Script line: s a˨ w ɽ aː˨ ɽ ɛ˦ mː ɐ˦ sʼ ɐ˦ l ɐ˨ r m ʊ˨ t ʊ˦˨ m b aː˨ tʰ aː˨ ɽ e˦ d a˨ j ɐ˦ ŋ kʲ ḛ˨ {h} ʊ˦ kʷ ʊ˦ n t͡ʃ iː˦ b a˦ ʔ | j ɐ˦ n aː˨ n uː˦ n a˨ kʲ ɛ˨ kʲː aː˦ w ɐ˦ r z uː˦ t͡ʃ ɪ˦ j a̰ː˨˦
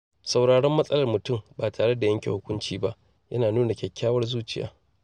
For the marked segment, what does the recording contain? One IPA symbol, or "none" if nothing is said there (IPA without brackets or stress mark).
h